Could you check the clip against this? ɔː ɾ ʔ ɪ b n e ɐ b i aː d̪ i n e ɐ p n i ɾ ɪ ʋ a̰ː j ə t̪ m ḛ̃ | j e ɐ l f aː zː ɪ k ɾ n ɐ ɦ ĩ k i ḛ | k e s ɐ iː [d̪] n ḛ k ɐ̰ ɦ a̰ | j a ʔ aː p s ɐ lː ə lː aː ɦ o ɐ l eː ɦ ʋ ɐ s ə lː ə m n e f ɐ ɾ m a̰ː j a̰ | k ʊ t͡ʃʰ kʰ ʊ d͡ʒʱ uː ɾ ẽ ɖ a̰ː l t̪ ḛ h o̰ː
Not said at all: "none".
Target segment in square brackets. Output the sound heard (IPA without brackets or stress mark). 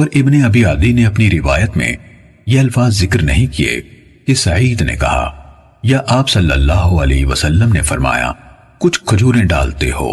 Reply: d̪